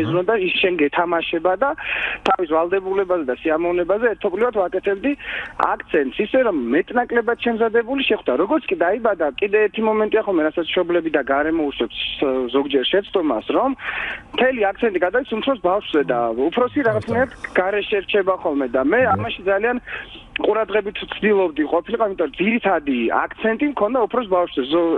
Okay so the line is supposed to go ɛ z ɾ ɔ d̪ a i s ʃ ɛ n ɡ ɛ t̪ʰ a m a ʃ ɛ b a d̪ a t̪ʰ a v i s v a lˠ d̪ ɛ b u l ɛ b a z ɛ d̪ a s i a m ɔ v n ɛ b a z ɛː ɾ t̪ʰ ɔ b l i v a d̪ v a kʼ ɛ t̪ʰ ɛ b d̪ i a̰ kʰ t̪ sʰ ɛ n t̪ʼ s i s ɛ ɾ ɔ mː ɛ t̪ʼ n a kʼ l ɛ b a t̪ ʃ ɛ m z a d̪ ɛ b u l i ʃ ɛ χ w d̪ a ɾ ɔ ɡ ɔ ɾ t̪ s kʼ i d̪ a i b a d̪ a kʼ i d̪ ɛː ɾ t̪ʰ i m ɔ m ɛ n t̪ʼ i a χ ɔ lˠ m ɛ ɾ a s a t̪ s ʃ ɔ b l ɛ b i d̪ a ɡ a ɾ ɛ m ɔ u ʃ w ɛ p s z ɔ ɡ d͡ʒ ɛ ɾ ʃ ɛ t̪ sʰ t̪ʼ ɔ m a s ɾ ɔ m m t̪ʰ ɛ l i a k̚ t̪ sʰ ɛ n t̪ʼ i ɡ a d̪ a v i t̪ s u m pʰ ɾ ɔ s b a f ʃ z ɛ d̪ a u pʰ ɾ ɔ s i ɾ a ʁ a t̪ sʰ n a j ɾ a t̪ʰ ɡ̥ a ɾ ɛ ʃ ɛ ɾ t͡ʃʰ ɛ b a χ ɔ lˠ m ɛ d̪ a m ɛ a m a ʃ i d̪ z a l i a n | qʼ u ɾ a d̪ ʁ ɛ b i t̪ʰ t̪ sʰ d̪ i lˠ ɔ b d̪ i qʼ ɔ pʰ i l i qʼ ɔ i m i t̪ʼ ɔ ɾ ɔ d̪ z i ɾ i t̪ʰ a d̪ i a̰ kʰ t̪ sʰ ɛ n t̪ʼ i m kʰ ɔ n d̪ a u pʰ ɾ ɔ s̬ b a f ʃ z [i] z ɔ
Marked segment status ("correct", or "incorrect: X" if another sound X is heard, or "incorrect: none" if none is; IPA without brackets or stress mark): incorrect: ɛ